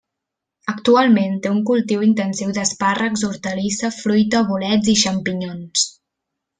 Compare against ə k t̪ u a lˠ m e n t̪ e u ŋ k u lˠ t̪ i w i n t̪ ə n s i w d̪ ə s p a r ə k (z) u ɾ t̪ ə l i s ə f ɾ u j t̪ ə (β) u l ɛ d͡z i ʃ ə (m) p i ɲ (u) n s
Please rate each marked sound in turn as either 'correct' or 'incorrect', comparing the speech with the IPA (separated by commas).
correct, correct, correct, incorrect